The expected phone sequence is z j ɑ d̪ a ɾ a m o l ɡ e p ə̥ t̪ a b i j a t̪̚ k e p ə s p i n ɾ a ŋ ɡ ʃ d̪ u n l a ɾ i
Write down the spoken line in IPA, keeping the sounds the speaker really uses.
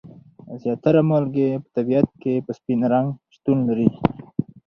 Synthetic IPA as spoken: z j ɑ t̪ a ɾ a m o l ɡ e p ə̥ t̪ a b i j a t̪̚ k e p ə s p i n ɾ a ŋ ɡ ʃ t̪ u n l a ɾ i